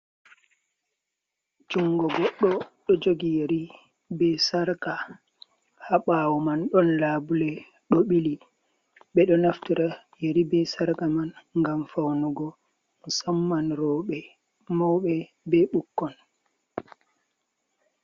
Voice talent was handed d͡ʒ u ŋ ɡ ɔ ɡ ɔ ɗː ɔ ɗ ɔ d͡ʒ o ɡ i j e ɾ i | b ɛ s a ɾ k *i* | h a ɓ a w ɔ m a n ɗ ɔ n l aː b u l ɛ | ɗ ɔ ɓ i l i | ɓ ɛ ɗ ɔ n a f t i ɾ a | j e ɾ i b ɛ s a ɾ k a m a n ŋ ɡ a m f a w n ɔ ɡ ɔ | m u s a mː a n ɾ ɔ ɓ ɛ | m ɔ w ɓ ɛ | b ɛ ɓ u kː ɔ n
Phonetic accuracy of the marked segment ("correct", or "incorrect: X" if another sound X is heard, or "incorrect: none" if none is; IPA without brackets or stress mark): incorrect: a